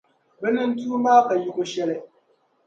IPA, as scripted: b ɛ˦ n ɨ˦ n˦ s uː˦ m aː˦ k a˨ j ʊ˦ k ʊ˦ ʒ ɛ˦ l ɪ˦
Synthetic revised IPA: b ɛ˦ n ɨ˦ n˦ t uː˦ m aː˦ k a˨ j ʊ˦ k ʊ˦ ʃ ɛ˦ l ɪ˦

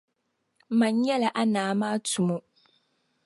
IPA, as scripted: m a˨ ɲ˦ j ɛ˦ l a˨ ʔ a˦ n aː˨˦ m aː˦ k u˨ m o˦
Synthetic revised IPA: m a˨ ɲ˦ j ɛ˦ l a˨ ʔ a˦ n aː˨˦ m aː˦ t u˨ m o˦

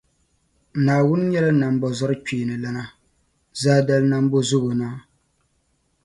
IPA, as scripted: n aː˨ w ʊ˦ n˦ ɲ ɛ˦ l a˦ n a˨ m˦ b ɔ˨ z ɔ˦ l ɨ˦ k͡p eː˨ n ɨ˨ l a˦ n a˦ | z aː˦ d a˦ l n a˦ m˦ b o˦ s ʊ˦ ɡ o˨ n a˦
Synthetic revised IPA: n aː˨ w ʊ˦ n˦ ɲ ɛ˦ l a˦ n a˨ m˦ b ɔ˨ z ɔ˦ ɾ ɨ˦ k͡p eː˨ n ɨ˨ l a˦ n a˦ | z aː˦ d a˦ l n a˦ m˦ b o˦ z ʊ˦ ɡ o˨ n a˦

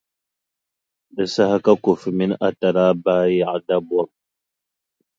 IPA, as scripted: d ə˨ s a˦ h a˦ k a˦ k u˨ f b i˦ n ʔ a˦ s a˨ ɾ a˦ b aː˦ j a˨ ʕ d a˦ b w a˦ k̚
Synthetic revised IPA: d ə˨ s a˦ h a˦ k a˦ k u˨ f m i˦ n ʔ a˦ t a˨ ɾ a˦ b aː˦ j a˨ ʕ d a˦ b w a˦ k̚

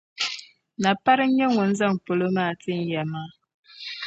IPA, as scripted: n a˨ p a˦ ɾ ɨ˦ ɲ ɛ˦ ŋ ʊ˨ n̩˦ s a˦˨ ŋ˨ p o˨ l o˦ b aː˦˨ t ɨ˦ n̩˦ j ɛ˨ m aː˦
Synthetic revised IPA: n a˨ p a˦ ɾ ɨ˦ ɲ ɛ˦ ŋ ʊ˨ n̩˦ z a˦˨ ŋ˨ p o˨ l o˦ m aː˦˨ t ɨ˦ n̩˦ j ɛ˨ m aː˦

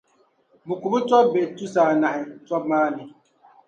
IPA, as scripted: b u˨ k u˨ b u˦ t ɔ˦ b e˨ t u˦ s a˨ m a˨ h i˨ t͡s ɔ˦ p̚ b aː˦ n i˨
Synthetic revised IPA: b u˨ k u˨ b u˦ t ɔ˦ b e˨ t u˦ s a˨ n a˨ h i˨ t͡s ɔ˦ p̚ m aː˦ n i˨

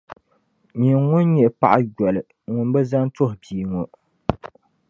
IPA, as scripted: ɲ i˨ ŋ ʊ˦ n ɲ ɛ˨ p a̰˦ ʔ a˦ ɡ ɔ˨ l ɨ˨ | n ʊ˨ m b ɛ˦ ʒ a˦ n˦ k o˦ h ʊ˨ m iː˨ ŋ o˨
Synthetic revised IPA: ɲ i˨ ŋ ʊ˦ n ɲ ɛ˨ p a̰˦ ʔ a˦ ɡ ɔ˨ l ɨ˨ | ŋ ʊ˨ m b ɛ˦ z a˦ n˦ t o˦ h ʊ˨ b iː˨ ŋ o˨

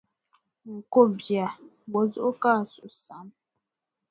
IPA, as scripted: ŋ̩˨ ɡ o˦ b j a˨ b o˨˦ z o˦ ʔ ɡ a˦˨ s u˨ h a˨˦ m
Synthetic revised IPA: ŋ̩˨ k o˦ b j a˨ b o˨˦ z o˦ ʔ k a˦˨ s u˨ s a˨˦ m

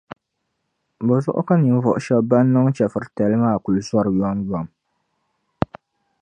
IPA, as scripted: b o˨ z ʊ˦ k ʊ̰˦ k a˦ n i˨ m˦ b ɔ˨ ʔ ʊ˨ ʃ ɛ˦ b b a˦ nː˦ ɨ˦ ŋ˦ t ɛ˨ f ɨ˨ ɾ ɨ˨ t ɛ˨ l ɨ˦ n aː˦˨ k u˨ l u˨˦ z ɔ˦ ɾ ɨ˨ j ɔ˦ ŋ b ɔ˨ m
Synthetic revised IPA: b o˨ z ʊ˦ ʔ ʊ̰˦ k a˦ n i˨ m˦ v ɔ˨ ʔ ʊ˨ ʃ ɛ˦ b b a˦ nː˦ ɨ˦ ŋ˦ t͡ʃ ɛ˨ f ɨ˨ ɾ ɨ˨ t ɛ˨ l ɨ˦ m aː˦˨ k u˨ l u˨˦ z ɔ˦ ɾ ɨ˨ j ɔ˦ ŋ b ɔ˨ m

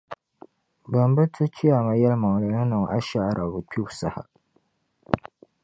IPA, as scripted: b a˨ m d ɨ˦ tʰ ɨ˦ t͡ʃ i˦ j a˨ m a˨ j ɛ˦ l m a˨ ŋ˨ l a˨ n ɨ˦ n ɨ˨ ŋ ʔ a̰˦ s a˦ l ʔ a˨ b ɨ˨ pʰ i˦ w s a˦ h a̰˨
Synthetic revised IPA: b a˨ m b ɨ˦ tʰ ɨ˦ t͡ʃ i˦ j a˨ m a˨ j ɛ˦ l m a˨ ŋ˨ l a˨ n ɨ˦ n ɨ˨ ŋ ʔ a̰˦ ʃ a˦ ɾ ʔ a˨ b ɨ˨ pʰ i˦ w s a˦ h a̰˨

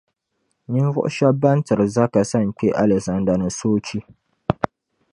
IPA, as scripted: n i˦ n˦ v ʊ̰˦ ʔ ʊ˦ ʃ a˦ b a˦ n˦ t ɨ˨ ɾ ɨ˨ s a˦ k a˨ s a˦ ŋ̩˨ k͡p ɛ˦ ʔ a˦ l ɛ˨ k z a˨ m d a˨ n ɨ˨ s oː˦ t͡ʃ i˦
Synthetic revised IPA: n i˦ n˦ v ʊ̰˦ ʔ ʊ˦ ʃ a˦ b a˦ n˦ t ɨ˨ ɾ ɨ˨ z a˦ k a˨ s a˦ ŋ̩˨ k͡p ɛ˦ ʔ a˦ l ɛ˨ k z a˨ n d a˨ n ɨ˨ s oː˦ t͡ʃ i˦

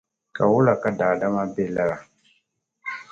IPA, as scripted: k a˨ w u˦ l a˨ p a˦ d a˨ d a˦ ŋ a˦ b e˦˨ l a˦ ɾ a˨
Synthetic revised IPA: k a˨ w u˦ l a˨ k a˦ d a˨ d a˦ m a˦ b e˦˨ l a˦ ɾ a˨

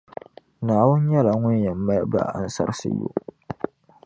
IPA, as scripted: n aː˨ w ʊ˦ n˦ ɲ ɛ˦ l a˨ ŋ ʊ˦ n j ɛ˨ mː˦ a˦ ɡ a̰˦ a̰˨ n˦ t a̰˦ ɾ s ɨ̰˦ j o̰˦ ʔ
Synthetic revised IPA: n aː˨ w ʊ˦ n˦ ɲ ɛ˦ l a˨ ŋ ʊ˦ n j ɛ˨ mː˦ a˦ b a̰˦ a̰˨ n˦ s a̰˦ ɾ s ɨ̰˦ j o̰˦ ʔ

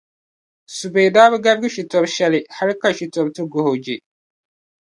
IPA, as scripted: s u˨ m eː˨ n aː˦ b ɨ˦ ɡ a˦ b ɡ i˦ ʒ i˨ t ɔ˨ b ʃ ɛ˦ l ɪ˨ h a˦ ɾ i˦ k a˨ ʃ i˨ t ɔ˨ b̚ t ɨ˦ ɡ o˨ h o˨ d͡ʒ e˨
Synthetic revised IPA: s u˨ b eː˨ d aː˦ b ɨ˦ ɡ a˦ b ɡ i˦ ʃ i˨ t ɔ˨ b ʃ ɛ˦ l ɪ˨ h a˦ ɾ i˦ k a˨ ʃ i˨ t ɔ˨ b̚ t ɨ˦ ɡ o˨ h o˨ d͡ʒ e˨

